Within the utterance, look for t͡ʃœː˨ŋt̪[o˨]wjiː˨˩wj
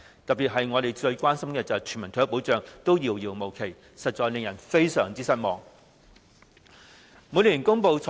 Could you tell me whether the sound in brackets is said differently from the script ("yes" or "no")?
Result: yes